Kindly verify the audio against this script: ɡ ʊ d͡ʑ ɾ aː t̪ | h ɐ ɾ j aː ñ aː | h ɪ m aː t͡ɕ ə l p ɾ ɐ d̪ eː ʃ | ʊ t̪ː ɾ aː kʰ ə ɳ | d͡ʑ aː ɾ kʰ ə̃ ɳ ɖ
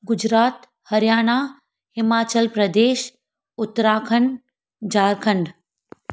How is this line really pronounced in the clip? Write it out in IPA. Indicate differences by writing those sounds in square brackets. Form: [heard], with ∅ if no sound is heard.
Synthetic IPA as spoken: ɡ ʊ d͡ʑ ɾ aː t̪ | h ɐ ɾ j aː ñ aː | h ɪ m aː t͡ɕ ə l p ɾ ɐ d̪ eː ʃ | ʊ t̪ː ɾ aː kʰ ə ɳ | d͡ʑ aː ɾ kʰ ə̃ ɳ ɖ